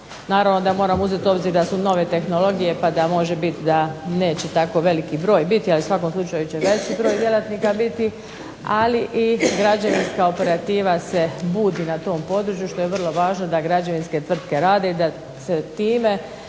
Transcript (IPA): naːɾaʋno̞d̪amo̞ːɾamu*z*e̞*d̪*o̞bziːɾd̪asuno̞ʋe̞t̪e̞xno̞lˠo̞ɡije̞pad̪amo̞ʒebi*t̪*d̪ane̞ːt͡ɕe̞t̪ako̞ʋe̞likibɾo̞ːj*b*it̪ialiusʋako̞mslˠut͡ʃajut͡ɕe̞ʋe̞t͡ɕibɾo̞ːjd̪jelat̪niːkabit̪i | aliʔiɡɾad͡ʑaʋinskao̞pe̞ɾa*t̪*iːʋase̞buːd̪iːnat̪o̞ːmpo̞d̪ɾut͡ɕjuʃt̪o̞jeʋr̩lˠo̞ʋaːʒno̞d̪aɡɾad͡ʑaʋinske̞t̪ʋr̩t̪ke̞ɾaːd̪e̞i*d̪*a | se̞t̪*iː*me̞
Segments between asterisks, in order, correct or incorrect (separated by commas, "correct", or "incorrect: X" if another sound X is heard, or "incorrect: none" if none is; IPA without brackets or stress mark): correct, incorrect: t̪, correct, correct, correct, correct, correct